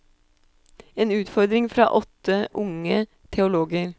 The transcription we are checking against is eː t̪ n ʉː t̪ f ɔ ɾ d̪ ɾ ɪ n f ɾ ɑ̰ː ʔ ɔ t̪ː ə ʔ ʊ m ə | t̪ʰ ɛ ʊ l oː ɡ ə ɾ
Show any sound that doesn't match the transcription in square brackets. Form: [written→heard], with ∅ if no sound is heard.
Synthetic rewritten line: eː [t̪→∅] n ʉː t̪ f ɔ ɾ d̪ ɾ ɪ [n→ŋ] f ɾ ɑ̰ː ʔ ɔ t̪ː ə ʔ ʊ [m→ŋ] ə | t̪ʰ ɛ ʊ l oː ɡ ə ɾ